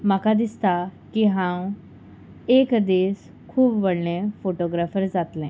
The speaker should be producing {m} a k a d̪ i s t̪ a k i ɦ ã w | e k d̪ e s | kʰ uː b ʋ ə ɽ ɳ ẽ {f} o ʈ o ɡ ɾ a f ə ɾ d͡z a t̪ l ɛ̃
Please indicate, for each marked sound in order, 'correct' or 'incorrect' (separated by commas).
correct, correct